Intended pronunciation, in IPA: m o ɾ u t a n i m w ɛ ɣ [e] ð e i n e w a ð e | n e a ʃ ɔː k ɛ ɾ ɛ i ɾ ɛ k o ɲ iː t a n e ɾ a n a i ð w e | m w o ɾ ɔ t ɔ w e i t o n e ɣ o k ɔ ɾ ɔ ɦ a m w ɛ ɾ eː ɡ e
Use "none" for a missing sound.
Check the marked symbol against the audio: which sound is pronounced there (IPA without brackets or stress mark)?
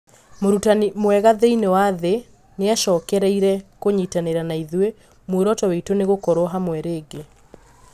a